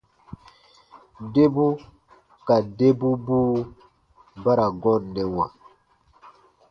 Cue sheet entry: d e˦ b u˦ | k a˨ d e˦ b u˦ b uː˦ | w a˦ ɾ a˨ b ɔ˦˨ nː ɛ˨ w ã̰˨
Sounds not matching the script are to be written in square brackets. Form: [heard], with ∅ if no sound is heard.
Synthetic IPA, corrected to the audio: d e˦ b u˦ | k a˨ d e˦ b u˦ b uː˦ | [b] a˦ ɾ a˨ [ɡ] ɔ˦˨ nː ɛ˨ w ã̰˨